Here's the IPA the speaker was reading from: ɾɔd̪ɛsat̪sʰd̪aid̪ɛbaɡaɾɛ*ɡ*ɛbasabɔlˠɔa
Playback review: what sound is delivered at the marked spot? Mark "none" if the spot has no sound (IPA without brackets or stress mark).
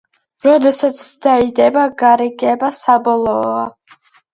ɡ